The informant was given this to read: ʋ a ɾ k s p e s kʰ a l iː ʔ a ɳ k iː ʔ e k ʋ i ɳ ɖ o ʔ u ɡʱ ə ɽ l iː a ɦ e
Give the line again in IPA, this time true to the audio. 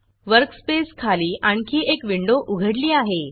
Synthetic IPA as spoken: ʋ ə ɾ k s p e s kʰ a l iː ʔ a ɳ k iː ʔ e k ʋ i ɳ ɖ o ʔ u ɡʱ ə ɽ l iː a ɦ e